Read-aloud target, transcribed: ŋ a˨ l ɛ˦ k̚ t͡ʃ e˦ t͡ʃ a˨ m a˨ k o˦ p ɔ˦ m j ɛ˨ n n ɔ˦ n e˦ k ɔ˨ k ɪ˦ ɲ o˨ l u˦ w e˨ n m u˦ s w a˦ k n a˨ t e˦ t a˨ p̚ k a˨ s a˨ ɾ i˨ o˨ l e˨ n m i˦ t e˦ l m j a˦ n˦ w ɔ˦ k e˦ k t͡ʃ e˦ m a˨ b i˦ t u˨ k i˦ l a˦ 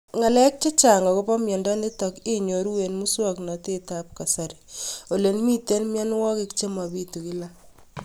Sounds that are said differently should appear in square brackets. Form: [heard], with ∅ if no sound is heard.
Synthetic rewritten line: ŋ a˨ l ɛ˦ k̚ t͡ʃ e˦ t͡ʃ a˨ [ŋ] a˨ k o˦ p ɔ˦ m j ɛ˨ n [d] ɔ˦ n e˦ [t] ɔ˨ k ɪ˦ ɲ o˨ [ɾ] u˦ w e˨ n m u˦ s w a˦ k n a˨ t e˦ t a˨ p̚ k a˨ s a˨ ɾ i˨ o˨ l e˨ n m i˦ t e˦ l m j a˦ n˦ w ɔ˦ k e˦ k t͡ʃ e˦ m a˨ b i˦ t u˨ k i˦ l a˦